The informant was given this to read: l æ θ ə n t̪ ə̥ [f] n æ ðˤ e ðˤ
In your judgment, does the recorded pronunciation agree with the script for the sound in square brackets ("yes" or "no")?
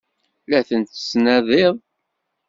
no